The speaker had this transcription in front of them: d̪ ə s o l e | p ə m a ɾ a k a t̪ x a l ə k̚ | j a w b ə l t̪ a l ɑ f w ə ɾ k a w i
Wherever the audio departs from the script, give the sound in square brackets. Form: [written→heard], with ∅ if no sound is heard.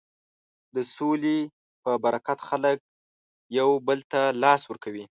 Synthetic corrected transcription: d̪ ə s o l e | p ə [m→b] a ɾ a k a t̪ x a l ə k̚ | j a w b ə l t̪ a l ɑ [f→s] w ə ɾ k a w i